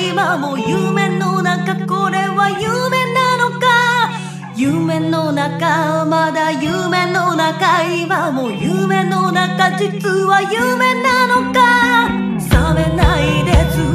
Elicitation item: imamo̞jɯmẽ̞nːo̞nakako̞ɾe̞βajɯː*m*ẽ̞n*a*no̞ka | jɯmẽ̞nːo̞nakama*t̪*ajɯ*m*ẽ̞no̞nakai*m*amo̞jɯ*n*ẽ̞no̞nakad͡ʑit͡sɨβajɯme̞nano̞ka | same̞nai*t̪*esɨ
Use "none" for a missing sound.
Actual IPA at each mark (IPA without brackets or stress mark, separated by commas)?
m, a, d̪, m, m, m, d̪